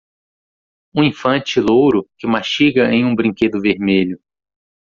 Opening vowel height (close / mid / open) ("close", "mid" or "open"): close